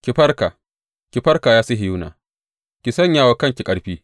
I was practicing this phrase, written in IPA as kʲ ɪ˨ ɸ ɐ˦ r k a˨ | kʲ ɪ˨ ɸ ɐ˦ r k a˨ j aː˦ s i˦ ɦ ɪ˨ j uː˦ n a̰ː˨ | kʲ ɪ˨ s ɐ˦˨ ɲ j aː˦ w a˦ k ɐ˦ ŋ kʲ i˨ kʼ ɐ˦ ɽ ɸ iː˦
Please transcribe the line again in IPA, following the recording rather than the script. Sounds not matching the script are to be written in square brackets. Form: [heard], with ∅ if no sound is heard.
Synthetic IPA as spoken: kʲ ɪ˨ ɸ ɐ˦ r k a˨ | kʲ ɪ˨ ɸ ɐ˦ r k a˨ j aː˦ s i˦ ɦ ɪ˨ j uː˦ n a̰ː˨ | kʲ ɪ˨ s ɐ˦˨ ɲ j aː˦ w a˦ k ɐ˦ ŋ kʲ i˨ kʼ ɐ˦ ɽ ɸ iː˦